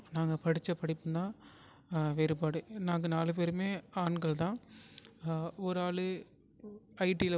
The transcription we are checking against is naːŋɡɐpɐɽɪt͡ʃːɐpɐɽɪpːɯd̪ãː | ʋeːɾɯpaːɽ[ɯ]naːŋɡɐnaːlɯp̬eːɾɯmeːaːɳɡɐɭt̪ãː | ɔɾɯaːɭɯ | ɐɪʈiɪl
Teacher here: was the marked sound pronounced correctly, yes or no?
yes